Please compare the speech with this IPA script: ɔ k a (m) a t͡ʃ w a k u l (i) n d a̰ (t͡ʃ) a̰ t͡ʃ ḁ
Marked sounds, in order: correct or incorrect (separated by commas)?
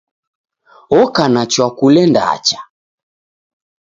incorrect, incorrect, incorrect